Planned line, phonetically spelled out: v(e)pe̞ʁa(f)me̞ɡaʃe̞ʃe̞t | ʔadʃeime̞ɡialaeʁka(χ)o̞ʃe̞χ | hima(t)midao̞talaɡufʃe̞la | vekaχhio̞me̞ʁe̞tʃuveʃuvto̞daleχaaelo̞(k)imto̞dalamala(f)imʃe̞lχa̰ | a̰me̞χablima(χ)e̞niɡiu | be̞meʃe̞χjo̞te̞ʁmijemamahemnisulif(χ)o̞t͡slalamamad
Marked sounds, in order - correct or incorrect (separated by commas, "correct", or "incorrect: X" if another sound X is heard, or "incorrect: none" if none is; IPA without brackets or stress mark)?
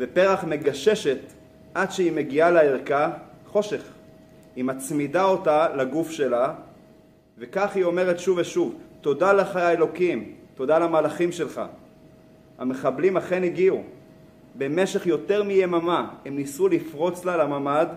correct, incorrect: χ, correct, incorrect: t͡s, correct, incorrect: χ, correct, incorrect: ʁ